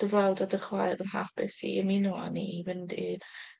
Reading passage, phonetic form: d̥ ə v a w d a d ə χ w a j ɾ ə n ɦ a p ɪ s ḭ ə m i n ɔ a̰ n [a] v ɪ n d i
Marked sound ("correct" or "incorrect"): incorrect